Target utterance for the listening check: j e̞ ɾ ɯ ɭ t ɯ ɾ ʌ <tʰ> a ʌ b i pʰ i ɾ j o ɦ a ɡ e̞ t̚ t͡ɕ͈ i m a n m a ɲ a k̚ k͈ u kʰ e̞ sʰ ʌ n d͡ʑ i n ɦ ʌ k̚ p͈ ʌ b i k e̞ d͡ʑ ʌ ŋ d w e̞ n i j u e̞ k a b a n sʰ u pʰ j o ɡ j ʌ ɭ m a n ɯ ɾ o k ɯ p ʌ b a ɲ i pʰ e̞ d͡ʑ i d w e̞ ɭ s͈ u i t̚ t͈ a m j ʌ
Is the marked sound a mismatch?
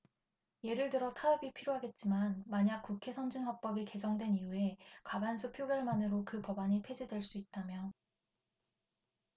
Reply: no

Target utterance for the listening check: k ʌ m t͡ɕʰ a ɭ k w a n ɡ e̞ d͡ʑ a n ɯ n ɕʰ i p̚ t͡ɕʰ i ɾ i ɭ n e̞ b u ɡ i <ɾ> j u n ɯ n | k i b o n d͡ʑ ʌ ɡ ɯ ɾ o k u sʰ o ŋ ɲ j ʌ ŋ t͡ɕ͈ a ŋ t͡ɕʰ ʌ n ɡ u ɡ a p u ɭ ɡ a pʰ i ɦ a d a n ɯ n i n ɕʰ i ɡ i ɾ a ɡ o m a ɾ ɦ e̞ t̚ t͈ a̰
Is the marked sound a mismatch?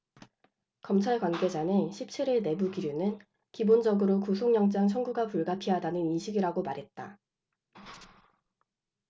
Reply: no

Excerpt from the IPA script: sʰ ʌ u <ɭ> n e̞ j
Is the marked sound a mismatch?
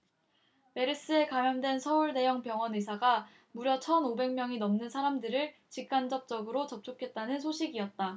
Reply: no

